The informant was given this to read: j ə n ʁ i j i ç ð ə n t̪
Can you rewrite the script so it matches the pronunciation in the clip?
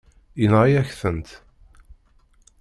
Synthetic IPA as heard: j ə n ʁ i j æ ç θ ə n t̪

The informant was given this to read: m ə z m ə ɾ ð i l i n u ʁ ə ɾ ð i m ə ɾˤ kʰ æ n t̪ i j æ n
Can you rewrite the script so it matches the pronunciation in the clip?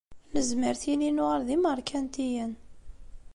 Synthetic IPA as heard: n ə z m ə ɾ θ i l i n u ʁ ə ɾ ð i m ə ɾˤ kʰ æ n t̪ i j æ n

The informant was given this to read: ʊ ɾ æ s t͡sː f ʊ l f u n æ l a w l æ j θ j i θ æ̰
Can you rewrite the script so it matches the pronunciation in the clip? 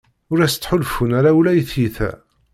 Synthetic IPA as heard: ʊ ɾ æ s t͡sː ħ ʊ l f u n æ ɾ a w l æ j θ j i θ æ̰

